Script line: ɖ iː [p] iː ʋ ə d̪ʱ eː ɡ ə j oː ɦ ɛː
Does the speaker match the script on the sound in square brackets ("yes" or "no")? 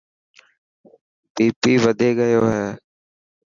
yes